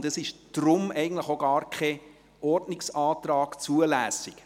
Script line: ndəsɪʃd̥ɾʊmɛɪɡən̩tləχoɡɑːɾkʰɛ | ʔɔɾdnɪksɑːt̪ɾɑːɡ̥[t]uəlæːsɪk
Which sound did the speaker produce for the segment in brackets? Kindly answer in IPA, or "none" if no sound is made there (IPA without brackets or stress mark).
t͡s